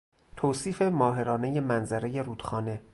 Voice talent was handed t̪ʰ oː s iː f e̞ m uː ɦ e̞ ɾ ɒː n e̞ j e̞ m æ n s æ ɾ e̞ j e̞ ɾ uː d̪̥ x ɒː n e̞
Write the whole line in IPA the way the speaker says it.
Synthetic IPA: t̪ʰ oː s iː f e̞ m ɒː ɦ e̞ ɾ ɒː n e̞ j e̞ m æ n z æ ɾ e̞ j e̞ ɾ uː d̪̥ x ɒː n e̞